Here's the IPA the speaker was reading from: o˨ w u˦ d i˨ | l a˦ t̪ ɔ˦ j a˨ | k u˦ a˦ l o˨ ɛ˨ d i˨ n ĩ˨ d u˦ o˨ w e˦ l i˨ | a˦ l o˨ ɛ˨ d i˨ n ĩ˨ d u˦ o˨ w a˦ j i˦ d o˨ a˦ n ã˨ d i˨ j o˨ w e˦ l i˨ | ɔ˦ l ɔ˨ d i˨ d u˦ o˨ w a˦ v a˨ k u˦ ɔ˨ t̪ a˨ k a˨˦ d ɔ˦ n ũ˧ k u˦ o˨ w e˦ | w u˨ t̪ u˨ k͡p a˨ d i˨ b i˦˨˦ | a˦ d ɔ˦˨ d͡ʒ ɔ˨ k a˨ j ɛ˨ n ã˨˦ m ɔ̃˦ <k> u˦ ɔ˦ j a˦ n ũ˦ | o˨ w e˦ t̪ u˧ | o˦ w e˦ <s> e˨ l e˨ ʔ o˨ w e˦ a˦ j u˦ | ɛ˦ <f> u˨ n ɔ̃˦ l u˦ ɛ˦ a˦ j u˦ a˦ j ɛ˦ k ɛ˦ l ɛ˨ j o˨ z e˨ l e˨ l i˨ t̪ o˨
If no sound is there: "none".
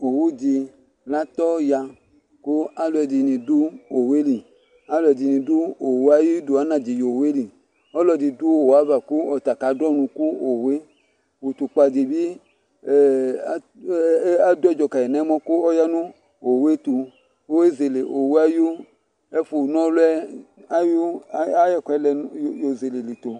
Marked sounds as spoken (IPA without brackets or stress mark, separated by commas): k, z, f